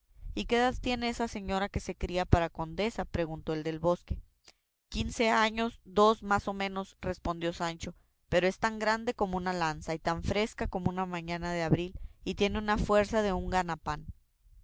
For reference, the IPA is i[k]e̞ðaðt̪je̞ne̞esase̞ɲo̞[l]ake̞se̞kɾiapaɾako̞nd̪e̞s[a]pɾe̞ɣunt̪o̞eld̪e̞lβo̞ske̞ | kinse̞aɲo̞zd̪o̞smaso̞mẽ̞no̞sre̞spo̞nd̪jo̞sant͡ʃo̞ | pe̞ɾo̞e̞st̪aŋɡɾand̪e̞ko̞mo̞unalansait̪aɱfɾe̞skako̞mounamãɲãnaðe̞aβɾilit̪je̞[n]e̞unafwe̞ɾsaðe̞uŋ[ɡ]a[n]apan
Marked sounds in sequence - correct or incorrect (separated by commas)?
correct, incorrect, correct, correct, correct, correct